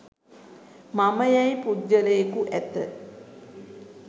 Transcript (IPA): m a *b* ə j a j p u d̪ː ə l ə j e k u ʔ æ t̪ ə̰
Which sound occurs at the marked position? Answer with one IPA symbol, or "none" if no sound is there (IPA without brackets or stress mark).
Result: m